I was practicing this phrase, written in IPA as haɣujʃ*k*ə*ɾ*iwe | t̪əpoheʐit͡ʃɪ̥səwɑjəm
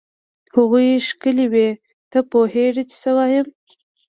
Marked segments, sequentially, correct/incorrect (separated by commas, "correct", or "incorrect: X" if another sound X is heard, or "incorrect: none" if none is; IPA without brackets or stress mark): correct, incorrect: l